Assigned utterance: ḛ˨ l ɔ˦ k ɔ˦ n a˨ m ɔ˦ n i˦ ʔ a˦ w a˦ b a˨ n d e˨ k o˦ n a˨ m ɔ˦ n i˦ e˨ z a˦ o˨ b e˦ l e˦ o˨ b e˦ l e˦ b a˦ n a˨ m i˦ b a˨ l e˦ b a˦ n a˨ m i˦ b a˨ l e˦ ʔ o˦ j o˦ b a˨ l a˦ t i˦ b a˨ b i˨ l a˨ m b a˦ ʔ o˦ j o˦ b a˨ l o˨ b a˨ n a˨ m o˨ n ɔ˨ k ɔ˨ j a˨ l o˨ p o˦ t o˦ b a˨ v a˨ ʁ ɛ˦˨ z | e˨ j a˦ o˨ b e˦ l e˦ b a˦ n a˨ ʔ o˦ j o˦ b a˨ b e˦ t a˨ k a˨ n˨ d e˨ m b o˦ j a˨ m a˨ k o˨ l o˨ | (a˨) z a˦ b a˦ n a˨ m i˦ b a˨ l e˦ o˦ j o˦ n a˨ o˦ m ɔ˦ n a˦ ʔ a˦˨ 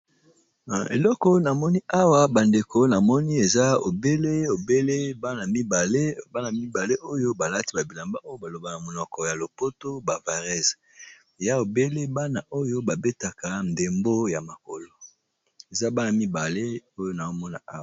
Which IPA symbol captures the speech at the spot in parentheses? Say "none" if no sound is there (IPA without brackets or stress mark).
e˨